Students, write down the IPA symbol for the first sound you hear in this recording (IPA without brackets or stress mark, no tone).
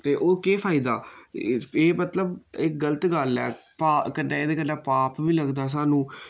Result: t̪